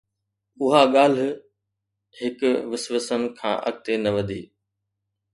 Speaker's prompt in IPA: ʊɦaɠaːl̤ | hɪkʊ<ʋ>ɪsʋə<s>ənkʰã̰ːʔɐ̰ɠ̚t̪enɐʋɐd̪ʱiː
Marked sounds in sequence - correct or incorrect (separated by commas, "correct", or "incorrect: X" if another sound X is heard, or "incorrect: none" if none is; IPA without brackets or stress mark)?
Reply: correct, correct